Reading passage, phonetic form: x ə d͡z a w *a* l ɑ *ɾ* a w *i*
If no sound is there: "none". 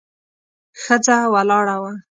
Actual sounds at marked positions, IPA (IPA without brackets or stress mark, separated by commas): a, ɽ, a